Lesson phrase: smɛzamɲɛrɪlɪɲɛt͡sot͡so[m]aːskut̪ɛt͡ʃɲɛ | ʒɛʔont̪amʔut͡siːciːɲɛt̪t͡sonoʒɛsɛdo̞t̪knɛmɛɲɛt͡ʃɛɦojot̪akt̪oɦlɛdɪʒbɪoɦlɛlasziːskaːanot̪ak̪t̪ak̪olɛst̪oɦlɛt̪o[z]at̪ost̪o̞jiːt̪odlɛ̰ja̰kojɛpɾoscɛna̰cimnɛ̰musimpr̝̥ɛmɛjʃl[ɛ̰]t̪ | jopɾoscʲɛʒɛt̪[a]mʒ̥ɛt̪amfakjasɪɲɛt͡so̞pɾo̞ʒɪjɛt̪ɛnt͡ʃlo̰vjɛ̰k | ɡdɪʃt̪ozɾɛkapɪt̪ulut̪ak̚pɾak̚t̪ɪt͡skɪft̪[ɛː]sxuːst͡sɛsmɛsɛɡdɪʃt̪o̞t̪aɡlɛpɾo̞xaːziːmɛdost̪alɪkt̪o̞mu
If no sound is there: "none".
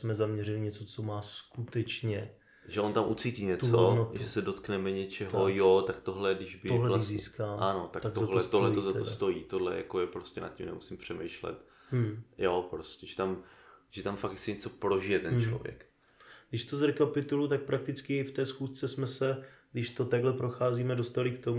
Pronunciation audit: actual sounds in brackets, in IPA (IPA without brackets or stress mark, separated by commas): m, z, ɛ̰, a, ɛː